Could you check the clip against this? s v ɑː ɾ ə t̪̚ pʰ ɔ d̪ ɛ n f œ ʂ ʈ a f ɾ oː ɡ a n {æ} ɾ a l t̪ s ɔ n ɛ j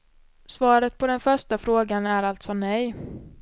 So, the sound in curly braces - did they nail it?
yes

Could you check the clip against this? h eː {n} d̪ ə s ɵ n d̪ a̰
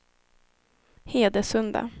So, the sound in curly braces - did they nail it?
no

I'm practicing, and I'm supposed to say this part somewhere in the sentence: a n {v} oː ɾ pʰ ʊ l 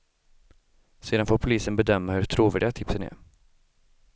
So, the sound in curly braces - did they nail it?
no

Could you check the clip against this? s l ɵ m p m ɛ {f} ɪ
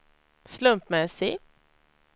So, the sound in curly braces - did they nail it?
no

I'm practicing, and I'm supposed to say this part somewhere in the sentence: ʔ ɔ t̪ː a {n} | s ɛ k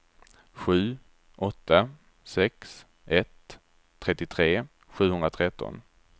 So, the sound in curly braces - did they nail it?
no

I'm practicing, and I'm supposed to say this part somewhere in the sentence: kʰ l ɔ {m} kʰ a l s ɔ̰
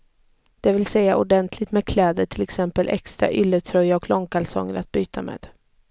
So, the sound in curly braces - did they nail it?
no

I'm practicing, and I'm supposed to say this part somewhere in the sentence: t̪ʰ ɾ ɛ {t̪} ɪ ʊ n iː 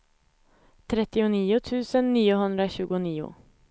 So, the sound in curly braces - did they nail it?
yes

